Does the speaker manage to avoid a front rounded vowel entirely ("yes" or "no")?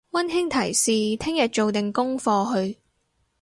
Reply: yes